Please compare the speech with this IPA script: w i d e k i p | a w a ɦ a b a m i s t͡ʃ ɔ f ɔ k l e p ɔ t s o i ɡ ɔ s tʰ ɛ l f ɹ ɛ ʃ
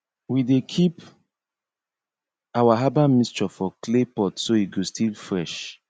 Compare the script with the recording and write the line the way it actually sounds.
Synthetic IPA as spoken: w i d e kʰ i p | a w a ɦ a b a m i s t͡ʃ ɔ f ɔ k l e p ɔ t s o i ɡ o s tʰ i l f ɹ ɛ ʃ